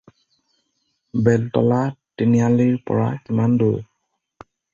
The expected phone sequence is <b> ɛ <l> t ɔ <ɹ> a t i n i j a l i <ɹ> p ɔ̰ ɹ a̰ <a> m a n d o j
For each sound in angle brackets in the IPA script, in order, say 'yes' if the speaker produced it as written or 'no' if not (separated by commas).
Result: yes, yes, no, yes, no